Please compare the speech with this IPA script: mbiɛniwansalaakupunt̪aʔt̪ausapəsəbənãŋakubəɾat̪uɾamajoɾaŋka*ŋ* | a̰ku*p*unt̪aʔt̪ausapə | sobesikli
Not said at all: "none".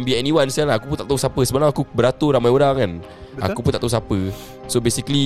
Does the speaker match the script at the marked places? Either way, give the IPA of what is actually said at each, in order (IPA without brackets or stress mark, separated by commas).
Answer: n, p